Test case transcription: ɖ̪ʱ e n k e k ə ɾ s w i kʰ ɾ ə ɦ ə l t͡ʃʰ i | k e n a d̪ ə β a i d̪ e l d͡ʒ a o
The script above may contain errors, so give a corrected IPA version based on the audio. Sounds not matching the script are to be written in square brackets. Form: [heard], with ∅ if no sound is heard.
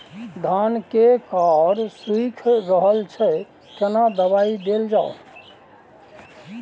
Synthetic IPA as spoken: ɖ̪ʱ [a] n k e k [a] ɾ s w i kʰ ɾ ə ɦ ə l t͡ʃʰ [ɛ] | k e n a d̪ ə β a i d̪ e l d͡ʒ a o